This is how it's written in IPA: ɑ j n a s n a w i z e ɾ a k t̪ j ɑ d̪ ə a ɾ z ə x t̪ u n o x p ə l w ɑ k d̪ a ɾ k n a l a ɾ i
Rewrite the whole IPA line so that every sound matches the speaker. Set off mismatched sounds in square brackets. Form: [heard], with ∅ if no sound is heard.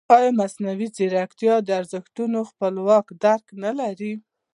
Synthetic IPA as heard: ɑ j [m] a s n a w i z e ɾ a k t̪ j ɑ d̪ ə a ɾ z ə x t̪ u n o x p ə l w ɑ k d̪ a ɾ k n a l a ɾ i